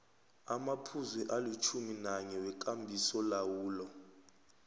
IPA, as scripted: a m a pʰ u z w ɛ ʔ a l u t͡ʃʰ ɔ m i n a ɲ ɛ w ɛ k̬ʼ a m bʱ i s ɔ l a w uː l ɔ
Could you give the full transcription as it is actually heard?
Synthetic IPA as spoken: a m a pʰ u z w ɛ ʔ a l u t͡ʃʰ u m i n a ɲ ɛ w ɛ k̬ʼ a m bʱ i s ɔ l a w uː l ɔ